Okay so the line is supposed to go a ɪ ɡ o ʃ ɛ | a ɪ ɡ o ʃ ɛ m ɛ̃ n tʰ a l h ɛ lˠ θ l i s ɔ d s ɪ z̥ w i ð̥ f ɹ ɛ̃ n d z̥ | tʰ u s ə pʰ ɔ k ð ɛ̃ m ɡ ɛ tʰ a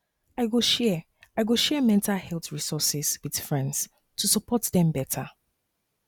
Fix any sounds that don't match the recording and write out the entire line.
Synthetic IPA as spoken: a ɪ ɡ o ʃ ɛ | a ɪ ɡ o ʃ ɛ m ɛ̃ n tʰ a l h ɛ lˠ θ ɹ i s ɔ s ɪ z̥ w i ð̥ f ɹ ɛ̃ n d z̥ | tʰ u s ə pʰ ɔ t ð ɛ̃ m b ɛ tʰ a